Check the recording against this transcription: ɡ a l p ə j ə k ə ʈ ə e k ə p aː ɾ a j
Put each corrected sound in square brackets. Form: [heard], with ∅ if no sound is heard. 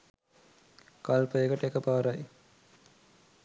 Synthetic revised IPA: [k] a l p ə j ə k ə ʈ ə e k ə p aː ɾ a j